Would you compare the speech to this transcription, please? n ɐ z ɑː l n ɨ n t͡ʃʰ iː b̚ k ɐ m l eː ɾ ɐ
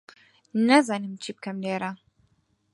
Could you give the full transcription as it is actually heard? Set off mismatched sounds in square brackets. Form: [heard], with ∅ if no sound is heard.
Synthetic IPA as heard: n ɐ z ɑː [∅] n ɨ [m] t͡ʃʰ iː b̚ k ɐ m l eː ɾ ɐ